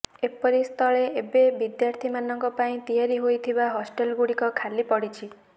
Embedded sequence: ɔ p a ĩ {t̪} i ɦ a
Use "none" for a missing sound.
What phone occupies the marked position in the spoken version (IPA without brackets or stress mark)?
t̪